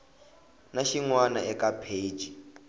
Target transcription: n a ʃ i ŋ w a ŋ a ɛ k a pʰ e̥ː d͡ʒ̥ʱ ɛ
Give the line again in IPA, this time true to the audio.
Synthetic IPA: n a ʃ i ŋ w a n a ɛ k a pʰ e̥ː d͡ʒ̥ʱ i